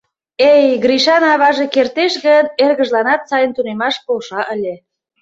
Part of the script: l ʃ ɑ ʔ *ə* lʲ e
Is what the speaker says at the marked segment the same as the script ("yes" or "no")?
yes